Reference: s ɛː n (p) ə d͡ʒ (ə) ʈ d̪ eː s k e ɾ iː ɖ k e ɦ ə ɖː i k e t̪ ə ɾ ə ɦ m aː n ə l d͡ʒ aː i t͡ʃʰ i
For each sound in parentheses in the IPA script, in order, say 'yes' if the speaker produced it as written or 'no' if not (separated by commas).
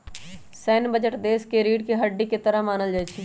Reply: no, yes